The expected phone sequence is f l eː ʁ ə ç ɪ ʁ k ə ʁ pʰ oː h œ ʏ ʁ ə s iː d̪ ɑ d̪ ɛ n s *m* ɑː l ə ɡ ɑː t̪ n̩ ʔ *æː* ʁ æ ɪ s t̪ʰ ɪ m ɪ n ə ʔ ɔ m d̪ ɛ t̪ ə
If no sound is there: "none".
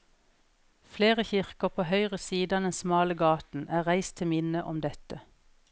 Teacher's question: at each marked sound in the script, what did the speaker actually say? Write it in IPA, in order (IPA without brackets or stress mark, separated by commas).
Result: m, æː